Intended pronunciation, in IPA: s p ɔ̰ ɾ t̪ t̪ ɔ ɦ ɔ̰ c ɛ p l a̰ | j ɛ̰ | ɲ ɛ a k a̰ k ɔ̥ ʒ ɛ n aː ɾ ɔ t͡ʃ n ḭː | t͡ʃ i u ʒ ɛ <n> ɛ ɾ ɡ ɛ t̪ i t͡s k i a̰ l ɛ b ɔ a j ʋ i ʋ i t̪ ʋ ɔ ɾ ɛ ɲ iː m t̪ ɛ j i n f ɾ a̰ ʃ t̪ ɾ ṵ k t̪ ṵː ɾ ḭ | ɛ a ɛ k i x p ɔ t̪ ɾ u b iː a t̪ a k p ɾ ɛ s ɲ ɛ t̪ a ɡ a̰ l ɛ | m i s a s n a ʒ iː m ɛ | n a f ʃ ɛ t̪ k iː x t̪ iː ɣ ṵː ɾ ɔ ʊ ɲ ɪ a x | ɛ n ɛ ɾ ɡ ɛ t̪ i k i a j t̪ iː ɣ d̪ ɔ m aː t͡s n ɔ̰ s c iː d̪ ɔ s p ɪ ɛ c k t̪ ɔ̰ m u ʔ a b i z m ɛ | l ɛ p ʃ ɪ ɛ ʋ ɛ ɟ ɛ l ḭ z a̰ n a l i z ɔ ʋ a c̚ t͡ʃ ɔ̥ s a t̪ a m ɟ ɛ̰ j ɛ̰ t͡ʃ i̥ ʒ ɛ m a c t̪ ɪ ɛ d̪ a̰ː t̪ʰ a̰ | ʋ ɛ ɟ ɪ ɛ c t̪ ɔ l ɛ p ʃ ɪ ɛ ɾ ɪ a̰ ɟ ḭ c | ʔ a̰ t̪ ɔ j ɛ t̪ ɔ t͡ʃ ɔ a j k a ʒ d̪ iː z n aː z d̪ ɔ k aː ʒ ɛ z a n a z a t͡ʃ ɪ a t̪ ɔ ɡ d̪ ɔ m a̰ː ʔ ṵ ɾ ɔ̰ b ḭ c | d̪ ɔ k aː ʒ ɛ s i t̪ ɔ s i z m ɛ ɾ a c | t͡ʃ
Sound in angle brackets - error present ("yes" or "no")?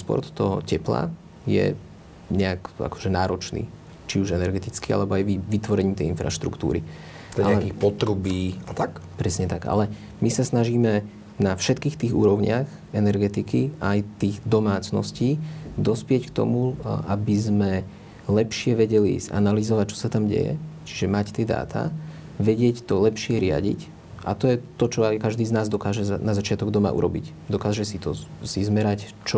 no